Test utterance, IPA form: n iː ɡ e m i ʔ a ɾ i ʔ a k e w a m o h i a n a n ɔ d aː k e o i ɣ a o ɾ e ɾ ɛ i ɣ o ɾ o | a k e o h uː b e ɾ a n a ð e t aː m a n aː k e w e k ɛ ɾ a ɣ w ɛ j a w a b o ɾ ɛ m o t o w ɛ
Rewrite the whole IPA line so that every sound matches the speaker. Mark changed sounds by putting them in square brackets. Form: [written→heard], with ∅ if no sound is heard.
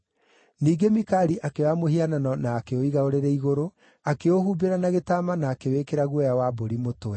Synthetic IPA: n iː ɡ e m i [ʔ→k] a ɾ i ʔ a k e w a m o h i a n a n ɔ [d→n] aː k e o i ɣ a o ɾ e ɾ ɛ i ɣ o ɾ o | a k e o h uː b e ɾ a n a [ð→ɣ] e t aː m a n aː k e w e k [ɛ→e] ɾ a ɣ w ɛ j a w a b o ɾ [ɛ→i] m o t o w ɛ